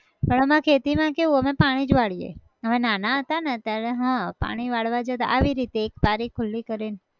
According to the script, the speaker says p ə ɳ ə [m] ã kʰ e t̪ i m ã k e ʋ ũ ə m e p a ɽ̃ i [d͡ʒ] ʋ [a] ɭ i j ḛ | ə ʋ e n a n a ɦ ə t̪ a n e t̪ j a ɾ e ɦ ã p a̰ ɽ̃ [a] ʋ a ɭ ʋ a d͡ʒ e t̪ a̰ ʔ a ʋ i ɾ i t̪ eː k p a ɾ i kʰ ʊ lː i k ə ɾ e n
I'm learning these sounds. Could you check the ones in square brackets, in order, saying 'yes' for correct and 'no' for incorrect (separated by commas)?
yes, yes, yes, no